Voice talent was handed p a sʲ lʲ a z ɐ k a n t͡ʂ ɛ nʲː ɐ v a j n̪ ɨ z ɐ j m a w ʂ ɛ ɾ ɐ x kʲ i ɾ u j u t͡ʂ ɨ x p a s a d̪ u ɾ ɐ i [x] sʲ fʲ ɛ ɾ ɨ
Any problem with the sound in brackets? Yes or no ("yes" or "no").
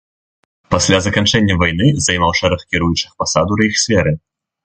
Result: no